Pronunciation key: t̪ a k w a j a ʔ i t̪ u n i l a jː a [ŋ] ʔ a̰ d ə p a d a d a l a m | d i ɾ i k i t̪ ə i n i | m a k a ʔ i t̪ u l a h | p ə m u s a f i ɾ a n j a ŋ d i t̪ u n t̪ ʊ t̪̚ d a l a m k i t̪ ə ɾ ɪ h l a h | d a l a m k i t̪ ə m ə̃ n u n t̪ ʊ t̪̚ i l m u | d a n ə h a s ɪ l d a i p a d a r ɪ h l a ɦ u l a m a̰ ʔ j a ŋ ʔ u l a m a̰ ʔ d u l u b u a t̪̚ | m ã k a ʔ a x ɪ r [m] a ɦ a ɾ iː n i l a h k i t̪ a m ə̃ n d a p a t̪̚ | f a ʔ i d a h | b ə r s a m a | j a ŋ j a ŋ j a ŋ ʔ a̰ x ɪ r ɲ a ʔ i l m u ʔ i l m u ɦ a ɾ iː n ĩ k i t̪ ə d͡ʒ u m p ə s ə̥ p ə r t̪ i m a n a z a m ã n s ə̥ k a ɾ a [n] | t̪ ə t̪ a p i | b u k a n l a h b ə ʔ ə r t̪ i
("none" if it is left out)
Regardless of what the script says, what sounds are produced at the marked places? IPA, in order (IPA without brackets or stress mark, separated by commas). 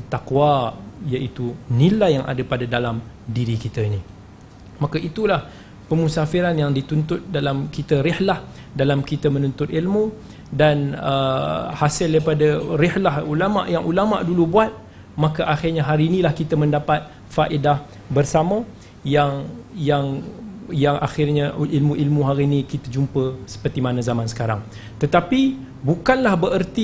ŋ, ɲ, ŋ